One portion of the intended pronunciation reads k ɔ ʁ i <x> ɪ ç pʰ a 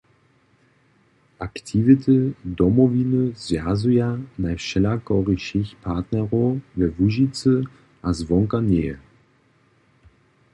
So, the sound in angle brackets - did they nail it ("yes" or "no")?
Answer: no